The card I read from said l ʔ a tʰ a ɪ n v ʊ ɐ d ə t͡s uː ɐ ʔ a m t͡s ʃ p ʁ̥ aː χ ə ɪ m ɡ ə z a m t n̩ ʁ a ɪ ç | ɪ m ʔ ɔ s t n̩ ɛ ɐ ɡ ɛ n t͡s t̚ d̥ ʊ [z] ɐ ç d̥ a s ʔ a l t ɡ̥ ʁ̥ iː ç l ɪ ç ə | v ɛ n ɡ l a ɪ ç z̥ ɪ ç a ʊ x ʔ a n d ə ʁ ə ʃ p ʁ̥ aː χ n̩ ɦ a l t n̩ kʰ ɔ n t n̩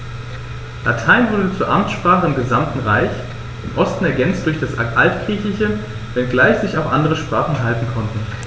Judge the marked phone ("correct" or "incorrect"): incorrect